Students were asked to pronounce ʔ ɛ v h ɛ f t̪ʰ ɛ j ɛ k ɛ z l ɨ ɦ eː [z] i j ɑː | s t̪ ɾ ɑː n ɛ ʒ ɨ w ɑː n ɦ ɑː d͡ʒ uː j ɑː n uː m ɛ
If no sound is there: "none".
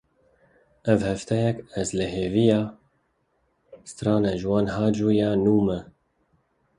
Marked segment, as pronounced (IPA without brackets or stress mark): v